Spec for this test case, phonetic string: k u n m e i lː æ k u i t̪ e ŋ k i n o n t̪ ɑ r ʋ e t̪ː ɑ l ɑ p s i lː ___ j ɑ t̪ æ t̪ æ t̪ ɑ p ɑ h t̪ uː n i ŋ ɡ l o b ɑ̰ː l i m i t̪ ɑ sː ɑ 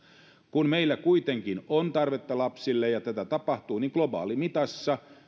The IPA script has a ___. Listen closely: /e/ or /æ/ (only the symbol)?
e